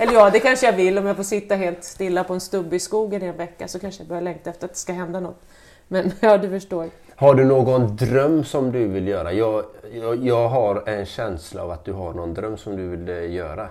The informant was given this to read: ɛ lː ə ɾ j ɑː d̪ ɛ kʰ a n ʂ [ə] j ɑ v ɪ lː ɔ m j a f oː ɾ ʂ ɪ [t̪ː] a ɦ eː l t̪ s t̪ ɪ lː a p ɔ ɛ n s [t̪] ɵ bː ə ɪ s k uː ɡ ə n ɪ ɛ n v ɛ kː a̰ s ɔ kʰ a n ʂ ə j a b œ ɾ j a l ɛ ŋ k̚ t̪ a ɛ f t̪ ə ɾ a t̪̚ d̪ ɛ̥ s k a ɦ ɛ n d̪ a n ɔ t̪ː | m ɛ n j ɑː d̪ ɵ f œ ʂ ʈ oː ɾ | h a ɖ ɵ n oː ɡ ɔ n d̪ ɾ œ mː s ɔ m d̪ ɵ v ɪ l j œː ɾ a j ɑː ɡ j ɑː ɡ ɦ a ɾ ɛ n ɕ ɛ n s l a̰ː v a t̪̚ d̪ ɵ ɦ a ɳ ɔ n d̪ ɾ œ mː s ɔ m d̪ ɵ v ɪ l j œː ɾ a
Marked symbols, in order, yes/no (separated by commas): yes, yes, yes